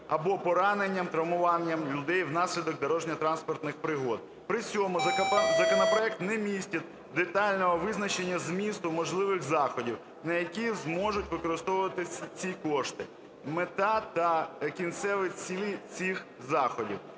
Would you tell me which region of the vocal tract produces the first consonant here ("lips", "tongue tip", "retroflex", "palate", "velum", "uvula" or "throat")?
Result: lips